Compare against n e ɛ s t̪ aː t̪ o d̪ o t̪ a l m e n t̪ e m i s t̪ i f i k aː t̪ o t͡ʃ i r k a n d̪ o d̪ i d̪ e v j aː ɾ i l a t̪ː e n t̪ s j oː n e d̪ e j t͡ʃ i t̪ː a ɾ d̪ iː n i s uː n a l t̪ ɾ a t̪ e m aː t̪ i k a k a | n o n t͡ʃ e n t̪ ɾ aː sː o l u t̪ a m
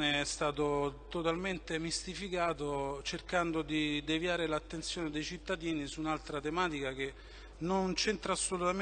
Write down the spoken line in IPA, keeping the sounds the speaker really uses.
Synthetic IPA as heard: n e ɛ s t̪ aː t̪ o t̪ o t̪ a l m e n t̪ e m i s t̪ i f i k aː t̪ o t͡ʃ e r k a n d̪ o d̪ i d̪ e v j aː ɾ e l a t̪ː e n t̪ s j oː n e d̪ e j t͡ʃ i t̪ː a d̪ iː n i s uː n a l t̪ ɾ a t̪ e m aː t̪ i k a k e | n o n t͡ʃ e n t̪ ɾ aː sː o l u t̪ a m

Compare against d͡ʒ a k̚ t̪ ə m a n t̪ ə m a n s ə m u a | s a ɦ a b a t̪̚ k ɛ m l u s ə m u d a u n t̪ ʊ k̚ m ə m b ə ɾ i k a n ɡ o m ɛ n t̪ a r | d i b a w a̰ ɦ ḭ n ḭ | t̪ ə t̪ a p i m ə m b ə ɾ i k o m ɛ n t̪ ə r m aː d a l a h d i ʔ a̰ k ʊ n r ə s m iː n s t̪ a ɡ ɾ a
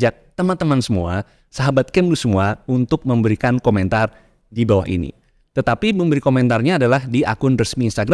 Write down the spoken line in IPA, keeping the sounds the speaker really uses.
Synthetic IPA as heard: d͡ʒ a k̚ t̪ ə m a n t̪ ə m a n s ə m u a | s a ɦ a b a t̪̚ k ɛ m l u s ə m u a u n t̪ ʊ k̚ m ə m b ə ɾ i k a n k o m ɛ n t̪ a r | d i b a w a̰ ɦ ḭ n ḭ | t̪ ə t̪ a p i m ə m b ə ɾ i k o m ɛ n t̪ a r ɲ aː d a l a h d i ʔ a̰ k ʊ n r ə s m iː n s t̪ a ɡ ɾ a

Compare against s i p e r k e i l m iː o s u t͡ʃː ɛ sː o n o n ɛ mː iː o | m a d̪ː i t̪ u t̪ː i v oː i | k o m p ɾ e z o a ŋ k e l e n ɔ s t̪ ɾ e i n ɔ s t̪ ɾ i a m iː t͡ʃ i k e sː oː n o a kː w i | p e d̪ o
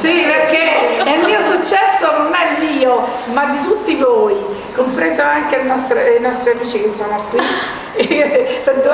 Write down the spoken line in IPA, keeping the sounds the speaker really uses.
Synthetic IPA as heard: s i p e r k e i l m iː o s u t͡ʃː ɛ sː o n o n ɛ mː iː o | m a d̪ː i t̪ u t̪ː i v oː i | k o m p ɾ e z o a ŋ k e l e n ɔ s t̪ ɾ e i n ɔ s t̪ ɾ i a m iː t͡ʃ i k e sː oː n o a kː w i | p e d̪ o

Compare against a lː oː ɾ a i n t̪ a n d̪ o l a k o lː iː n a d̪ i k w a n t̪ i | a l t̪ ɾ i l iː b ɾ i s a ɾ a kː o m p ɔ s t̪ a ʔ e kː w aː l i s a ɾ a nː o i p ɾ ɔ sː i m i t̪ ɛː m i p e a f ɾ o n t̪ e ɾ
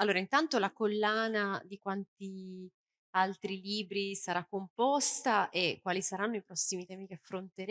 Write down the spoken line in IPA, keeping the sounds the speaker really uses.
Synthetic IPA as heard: a lː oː ɾ a i n t̪ a n t̪ o l a k o lː aː n a d̪ i k w a n t̪ i | a l t̪ ɾ i l iː b ɾ i s a ɾ a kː o m p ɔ s t̪ a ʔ e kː w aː l i s a ɾ a nː o i p ɾ ɔ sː i m i t̪ ɛː m i k e a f ɾ o n t̪ e ɾ

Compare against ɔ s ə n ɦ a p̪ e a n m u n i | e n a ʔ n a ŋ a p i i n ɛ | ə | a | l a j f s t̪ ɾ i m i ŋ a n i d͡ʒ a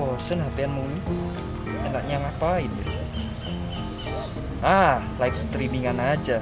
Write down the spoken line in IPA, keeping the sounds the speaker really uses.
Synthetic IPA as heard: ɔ s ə n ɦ a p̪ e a n m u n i | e n a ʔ ɲ a ŋ a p a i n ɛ | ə | a | l a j f s t̪ ɾ i m i ŋ a n a d͡ʒ a

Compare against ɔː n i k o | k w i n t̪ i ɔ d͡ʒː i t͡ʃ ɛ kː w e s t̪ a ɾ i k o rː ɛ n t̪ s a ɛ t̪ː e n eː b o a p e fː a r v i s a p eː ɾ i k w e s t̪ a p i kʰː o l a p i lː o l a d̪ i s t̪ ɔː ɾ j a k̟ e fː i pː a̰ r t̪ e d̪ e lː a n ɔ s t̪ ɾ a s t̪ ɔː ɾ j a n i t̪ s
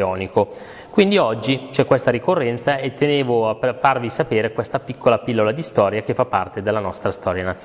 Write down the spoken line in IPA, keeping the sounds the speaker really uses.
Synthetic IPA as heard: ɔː n i k o | k w i n d̪ i ɔ d͡ʒː i t͡ʃ ɛ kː w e s t̪ a ɾ i k o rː ɛ n t̪ s a e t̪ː e n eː v o a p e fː a r v i s a p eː ɾ e k w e s t̪ a p i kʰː o l a p i lː o l a d̪ i s t̪ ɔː ɾ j a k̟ e fː a pː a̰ r t̪ e d̪ e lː a n ɔ s t̪ ɾ a s t̪ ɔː ɾ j a n a t̪ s

